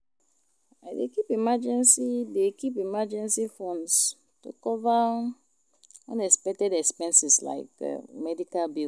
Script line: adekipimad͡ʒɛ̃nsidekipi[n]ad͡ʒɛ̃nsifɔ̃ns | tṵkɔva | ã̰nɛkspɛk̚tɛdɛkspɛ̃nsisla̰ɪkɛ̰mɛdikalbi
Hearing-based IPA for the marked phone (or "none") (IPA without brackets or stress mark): m